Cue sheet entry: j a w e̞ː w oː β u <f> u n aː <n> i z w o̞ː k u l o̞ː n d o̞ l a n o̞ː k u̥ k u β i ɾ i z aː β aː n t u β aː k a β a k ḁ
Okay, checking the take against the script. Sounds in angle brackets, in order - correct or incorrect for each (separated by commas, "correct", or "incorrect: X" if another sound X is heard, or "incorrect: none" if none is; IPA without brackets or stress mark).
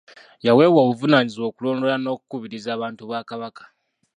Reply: incorrect: v, incorrect: ɲ